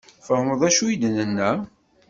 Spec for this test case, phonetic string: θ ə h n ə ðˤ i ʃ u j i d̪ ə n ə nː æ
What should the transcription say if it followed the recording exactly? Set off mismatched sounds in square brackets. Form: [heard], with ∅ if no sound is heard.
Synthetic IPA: [f] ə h [m] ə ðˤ [æ] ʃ u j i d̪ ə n ə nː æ